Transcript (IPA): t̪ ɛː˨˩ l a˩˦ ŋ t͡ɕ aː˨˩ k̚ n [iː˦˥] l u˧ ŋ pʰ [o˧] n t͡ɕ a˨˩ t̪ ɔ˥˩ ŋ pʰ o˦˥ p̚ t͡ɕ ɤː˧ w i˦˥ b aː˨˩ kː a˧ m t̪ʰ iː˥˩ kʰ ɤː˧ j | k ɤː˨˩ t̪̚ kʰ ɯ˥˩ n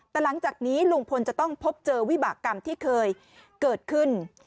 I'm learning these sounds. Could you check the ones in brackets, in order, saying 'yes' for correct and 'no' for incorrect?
yes, yes

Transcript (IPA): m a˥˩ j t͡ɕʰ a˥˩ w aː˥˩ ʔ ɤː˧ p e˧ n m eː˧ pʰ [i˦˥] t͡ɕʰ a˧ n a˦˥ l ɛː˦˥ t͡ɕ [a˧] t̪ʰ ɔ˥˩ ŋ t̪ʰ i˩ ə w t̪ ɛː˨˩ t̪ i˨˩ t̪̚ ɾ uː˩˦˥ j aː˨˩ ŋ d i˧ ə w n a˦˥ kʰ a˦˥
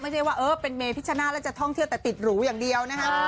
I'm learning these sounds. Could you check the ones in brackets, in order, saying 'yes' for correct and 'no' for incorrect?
yes, no

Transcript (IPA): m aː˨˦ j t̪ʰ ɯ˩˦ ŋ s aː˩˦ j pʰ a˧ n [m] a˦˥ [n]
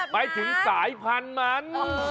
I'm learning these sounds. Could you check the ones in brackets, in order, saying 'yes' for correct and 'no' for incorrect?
yes, yes

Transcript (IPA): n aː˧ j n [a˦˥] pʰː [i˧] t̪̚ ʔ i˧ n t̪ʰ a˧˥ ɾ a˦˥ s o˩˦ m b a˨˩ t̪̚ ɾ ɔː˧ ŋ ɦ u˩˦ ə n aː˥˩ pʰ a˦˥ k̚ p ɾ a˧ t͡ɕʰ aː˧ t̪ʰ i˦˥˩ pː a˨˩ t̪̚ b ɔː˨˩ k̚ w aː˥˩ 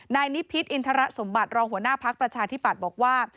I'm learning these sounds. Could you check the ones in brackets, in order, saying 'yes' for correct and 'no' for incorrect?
no, no

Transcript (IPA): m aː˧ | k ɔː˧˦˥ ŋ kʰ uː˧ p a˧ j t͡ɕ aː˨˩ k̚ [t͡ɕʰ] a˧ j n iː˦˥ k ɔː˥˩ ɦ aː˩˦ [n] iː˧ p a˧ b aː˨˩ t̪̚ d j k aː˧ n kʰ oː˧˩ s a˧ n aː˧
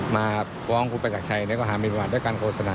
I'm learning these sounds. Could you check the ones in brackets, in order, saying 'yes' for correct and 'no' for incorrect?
yes, no

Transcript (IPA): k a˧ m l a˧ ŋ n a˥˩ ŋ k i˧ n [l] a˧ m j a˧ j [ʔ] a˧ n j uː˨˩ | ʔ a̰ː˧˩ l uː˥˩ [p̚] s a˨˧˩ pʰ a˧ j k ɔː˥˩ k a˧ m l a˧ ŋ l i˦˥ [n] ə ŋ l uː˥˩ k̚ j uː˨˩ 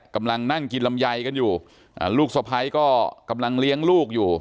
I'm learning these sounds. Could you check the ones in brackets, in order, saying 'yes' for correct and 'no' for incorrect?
yes, no, no, no

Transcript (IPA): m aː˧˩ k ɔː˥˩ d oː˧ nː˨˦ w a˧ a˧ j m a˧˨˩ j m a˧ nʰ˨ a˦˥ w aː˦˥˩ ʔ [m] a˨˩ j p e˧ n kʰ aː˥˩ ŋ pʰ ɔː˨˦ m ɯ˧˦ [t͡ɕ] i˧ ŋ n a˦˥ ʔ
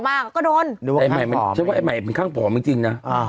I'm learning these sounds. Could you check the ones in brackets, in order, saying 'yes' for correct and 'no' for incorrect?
yes, yes

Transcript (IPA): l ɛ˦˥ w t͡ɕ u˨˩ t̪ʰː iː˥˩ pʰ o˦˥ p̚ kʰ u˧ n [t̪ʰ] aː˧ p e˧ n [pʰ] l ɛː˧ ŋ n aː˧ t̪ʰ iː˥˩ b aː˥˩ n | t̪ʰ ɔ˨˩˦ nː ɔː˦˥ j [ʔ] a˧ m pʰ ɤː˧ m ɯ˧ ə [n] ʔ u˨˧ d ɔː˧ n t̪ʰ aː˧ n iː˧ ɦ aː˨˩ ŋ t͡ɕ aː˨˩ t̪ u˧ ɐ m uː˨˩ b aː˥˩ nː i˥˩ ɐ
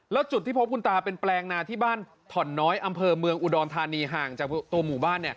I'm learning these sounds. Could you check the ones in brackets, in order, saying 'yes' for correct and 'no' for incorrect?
no, no, yes, no

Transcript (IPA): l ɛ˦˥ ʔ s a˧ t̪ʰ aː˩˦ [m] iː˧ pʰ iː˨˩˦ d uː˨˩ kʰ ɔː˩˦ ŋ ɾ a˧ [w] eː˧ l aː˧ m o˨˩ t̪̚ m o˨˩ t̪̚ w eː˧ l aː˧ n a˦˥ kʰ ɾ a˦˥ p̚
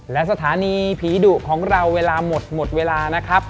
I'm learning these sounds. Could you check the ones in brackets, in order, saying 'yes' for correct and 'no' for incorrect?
no, no

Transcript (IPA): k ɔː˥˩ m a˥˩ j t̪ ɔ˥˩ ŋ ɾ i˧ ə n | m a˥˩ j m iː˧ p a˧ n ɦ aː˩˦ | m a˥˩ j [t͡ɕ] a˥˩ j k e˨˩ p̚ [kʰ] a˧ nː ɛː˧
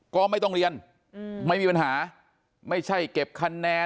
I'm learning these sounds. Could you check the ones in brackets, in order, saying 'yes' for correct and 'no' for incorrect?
no, yes

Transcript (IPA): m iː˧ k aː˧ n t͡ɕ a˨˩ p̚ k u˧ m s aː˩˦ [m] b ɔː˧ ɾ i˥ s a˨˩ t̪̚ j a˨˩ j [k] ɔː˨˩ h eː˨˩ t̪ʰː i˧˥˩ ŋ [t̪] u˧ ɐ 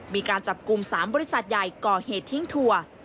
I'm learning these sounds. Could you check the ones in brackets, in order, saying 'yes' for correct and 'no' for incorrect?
yes, yes, no

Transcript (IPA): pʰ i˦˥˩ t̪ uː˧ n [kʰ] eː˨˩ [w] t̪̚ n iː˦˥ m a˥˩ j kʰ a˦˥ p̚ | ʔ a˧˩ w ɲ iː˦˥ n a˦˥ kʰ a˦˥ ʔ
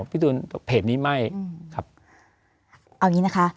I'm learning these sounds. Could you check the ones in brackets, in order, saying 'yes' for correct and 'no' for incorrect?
no, no

